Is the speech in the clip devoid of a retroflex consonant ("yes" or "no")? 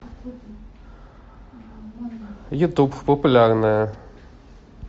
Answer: yes